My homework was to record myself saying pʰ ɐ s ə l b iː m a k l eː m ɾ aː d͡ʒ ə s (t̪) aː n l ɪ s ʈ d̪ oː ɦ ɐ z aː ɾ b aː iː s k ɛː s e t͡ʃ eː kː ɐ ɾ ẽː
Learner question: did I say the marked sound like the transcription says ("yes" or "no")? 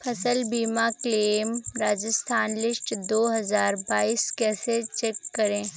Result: no